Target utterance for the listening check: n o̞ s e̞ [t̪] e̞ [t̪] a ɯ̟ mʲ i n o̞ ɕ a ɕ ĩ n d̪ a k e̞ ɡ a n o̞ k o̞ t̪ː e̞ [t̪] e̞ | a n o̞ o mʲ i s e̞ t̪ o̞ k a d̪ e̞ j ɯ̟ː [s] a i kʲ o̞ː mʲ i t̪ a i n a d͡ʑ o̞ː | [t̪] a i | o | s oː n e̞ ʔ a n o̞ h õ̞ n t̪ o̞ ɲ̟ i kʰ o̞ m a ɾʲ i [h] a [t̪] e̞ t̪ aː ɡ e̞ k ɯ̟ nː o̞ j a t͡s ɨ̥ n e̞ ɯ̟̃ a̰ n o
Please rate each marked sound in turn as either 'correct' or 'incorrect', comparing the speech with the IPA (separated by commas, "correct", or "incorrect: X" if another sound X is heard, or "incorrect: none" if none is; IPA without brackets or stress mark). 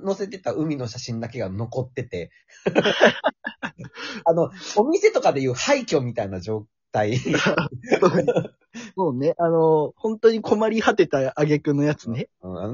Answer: correct, correct, correct, incorrect: h, correct, correct, correct